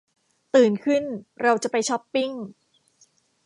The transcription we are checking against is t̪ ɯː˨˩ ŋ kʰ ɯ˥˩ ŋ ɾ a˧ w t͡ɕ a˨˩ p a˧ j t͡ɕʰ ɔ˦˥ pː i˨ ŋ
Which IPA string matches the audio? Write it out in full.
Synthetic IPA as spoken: t̪ ɯː˨˩ n kʰ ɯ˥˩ n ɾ a˧ w t͡ɕ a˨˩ p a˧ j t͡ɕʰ ɔ˦˥ pː i˥˩ ŋ